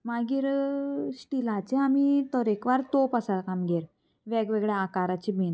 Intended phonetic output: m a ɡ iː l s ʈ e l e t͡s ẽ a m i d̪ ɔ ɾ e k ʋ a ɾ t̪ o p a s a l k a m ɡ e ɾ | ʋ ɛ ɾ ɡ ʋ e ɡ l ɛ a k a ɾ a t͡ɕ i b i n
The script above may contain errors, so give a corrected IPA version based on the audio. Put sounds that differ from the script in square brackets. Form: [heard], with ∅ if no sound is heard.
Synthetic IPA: m a ɡ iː [ɾ] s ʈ [i] l [a] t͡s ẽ a m i [t̪] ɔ ɾ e k ʋ a ɾ t̪ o p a s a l k a m ɡ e ɾ | ʋ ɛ [∅] ɡ ʋ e ɡ [ɭ] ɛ a k a ɾ a t͡ɕ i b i n